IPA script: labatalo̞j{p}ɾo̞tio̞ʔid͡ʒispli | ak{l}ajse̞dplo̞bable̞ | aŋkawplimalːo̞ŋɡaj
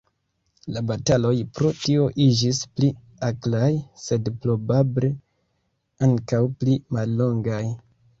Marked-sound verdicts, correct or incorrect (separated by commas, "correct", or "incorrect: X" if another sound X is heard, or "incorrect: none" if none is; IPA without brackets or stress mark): correct, correct